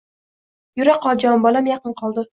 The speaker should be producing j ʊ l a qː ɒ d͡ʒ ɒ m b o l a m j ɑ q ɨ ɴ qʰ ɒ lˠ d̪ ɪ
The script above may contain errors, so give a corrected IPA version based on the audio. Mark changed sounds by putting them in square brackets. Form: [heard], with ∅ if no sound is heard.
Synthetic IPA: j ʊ [ɾ] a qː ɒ d͡ʒ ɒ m b [ɒ] l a m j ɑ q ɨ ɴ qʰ ɒ lˠ d̪ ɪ